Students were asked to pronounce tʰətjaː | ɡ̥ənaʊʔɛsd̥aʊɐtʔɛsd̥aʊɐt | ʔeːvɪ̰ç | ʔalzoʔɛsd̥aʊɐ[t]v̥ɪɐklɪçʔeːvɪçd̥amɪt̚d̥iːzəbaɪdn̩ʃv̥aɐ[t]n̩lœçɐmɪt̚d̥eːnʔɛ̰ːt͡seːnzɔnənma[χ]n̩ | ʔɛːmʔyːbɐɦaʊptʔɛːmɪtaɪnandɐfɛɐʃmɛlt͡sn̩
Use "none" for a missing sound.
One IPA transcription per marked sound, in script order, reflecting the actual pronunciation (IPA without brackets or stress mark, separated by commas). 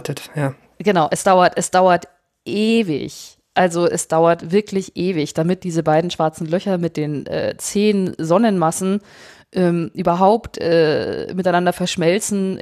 t, t͡s, s